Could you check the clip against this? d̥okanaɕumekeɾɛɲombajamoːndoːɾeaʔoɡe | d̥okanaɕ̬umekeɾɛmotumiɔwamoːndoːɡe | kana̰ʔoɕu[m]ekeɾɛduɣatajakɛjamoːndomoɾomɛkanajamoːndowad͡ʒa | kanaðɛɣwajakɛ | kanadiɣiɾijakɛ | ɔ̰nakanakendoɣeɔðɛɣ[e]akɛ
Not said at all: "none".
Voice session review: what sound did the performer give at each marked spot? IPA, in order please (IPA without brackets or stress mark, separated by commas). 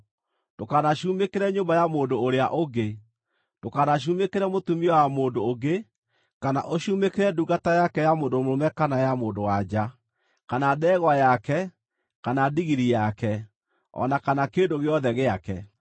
m, e